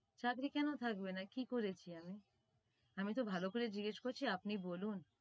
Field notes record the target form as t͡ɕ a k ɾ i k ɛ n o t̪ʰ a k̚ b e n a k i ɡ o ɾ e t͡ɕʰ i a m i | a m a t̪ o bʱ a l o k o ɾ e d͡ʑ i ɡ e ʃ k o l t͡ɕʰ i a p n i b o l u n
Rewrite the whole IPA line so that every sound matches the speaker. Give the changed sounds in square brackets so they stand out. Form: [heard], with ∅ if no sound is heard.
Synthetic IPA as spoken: t͡ɕ a k ɾ i k ɛ n o t̪ʰ a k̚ b e n a k i [k] o ɾ e t͡ɕʰ i a m i | a m [i] t̪ o bʱ a l o k o ɾ e d͡ʑ i ɡ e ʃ k o [ɾ] t͡ɕʰ i a p n i b o l u n